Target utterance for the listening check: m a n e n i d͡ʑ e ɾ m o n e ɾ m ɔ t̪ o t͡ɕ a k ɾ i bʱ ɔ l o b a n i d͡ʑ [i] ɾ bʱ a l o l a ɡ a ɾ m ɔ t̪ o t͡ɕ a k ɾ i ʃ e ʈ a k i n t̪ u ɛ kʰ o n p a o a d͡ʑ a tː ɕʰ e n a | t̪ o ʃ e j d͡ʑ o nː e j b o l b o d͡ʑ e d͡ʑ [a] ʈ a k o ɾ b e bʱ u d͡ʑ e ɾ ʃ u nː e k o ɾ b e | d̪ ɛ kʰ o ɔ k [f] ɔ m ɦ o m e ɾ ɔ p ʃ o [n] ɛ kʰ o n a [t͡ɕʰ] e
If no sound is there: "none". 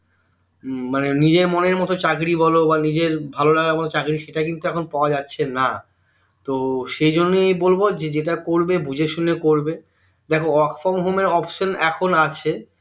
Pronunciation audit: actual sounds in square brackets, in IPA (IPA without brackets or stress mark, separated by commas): e, e, f, n, t͡ɕʰ